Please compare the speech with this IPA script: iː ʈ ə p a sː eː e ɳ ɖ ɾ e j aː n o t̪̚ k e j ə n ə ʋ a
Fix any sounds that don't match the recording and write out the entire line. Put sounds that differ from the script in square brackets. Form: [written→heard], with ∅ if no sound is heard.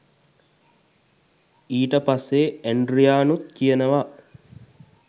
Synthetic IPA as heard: iː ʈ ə p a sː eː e ɳ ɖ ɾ [e→i] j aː n [o→u] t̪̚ k [e→i] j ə n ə ʋ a